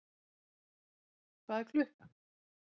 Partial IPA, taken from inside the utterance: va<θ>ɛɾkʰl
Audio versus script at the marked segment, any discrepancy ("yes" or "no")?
yes